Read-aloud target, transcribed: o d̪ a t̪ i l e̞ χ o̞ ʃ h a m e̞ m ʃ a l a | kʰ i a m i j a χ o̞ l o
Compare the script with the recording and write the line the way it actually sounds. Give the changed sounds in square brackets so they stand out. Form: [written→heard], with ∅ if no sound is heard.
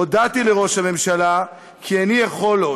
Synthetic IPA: o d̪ a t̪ i l e̞ [χ→ʁ] o̞ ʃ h a m e̞ m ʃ a l a | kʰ i a [m→n] i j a χ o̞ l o